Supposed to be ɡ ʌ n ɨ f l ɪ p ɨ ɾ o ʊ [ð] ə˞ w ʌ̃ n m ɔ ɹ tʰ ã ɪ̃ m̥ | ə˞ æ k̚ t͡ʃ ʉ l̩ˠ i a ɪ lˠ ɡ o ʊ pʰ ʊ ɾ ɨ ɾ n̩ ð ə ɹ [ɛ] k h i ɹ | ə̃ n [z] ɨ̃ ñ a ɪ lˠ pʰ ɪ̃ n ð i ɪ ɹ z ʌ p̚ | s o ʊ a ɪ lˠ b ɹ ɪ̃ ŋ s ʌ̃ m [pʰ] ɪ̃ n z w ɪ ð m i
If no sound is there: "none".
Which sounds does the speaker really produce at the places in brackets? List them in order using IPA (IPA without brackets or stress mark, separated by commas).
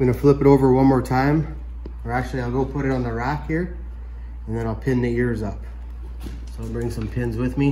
v, æ, ð, pʰ